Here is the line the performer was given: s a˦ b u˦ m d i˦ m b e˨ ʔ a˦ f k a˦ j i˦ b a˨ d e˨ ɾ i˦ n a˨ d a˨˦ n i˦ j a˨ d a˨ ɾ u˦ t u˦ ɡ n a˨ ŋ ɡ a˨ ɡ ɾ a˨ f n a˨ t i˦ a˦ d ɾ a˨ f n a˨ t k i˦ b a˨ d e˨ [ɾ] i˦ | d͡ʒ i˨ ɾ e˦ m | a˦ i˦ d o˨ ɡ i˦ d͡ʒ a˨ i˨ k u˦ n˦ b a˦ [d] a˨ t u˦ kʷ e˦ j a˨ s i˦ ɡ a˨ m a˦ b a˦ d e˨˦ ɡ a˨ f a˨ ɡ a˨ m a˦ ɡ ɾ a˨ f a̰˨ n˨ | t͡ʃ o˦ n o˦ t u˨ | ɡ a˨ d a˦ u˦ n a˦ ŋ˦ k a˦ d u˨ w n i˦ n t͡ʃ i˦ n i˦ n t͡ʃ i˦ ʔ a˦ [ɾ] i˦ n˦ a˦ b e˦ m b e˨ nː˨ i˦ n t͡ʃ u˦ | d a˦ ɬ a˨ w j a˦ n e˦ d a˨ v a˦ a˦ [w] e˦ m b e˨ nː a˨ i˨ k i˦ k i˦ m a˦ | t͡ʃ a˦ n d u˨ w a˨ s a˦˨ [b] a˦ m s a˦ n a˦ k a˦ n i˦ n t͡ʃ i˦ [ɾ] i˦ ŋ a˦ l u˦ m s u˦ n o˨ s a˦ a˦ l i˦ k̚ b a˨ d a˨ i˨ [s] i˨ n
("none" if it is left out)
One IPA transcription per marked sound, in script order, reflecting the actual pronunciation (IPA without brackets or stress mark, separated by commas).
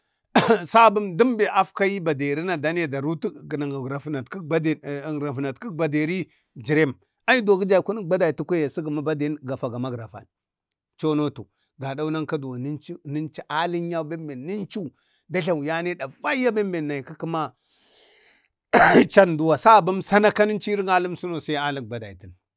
ɾ, d, l, b, b, ɾ, t